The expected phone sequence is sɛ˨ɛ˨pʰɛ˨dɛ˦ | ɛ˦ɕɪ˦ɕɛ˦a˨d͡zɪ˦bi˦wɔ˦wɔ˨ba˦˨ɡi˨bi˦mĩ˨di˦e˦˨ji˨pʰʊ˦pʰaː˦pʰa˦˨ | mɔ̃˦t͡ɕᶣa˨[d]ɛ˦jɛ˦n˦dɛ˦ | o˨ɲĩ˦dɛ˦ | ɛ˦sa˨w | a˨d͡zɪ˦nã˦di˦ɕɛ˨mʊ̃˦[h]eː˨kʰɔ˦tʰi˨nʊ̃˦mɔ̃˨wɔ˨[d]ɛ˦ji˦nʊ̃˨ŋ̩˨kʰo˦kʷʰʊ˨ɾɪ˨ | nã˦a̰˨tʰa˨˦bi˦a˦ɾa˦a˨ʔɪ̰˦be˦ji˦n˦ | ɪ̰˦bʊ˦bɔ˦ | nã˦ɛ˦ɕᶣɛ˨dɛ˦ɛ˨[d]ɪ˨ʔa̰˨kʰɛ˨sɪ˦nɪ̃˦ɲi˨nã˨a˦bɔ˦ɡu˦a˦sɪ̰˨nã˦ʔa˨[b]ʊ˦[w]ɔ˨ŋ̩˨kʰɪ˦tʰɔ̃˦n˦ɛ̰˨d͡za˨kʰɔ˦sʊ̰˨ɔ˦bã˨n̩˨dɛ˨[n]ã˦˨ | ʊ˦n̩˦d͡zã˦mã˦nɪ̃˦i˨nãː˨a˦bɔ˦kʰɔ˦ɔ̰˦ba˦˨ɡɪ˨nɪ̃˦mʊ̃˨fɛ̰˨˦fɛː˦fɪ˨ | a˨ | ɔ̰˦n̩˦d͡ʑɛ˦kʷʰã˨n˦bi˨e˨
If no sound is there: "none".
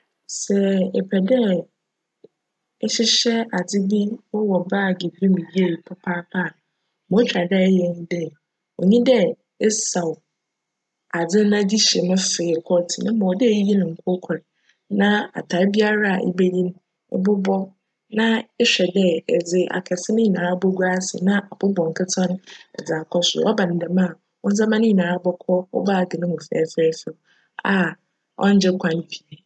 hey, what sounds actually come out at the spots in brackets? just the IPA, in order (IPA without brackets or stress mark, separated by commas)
d, f, d, d͡z, b, b, m